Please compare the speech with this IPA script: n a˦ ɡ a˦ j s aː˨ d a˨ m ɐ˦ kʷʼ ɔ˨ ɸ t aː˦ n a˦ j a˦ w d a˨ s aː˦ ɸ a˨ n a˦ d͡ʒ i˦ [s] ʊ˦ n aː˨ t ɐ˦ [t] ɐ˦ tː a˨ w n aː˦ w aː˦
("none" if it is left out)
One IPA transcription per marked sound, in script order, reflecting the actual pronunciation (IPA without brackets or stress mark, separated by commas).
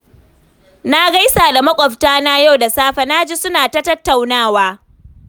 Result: s, t